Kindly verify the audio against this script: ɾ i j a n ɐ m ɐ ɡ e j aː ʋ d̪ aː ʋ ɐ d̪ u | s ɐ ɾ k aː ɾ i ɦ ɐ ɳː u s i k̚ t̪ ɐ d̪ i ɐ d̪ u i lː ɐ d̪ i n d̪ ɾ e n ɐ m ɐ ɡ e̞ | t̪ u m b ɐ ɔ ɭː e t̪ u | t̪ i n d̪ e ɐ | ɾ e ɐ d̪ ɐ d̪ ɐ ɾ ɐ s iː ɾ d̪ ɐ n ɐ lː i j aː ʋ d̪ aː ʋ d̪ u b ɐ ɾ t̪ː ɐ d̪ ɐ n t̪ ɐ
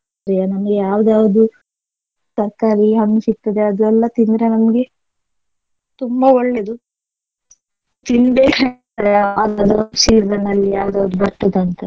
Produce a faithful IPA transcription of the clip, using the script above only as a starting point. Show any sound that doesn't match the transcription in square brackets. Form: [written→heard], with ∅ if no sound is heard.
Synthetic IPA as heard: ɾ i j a n ɐ m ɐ ɡ e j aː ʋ d̪ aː ʋ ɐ d̪ u | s ɐ ɾ k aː ɾ i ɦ ɐ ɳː u s i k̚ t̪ ɐ d̪ [i→e] ɐ d̪ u [i→ɛ] lː ɐ [d̪→t̪] i n d̪ ɾ e n ɐ m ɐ ɡ e̞ | t̪ u m b ɐ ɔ ɭː e [t̪→d̪] u | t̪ i n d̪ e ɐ | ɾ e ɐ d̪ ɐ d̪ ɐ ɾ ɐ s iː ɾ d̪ ɐ n ɐ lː i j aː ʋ d̪ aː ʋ d̪ u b ɐ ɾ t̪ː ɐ d̪ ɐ n t̪ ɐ